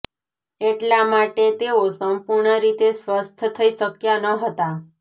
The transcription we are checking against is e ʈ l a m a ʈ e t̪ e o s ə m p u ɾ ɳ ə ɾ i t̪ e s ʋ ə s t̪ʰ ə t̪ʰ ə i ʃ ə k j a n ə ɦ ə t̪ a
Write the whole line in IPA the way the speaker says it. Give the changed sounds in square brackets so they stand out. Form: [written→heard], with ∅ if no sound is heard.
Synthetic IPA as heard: e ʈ l a m a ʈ e t̪ e o s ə m p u ɾ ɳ ə ɾ i t̪ e s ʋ ə s t̪ʰ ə t̪ʰ ə i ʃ ə k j a n ə ɦ ə t̪ a